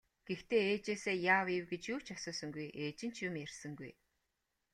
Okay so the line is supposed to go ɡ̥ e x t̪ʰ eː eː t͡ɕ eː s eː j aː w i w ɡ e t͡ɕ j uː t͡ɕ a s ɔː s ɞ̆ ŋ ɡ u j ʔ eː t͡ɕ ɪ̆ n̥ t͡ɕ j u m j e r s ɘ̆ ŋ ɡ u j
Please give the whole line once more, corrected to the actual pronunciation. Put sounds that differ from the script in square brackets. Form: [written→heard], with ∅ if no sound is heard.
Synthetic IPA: ɡ̥ e x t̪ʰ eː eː t͡ɕ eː s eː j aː w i w ɡ e t͡ɕ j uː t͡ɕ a s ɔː s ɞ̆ ŋ ɡ u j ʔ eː t͡ɕ ɪ̆ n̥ t͡ɕ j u m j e r s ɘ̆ ŋ ɡ u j